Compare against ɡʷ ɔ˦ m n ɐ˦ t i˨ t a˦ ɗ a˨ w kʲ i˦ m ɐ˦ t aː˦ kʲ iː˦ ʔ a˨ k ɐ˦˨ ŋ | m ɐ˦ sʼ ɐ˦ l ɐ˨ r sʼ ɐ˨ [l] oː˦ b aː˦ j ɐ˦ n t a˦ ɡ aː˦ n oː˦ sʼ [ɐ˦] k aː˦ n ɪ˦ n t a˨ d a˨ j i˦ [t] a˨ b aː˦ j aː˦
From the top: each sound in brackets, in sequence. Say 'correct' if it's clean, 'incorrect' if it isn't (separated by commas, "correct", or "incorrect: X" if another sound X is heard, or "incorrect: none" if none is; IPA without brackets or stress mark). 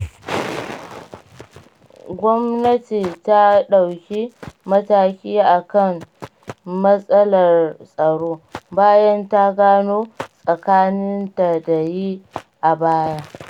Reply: incorrect: ɽ, incorrect: ɐ˨, incorrect: ʔ